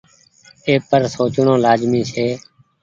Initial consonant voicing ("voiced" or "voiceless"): voiceless